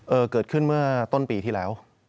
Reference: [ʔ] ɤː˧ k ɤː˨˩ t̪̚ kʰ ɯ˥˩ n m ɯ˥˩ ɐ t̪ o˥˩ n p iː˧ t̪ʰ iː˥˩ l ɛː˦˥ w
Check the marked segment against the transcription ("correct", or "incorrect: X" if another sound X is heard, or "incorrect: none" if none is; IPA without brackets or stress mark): correct